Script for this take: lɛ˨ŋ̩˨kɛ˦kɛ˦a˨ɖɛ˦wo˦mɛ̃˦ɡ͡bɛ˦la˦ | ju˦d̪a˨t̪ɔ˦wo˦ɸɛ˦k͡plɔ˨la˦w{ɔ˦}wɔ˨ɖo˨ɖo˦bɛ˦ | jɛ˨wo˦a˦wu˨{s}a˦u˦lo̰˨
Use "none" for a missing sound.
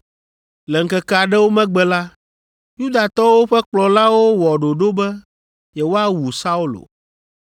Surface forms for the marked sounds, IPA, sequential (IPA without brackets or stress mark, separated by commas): o˦, s